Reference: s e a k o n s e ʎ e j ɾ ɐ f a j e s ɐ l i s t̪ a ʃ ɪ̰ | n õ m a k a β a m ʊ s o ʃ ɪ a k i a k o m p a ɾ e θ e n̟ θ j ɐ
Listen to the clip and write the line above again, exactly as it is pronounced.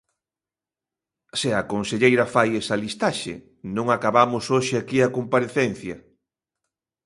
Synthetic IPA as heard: s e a k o n s e ʎ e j ɾ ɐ f a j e s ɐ l i s t̪ a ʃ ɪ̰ | n õ ŋ a k a β a m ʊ s o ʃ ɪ a k i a k o m p a ɾ e θ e n̟ θ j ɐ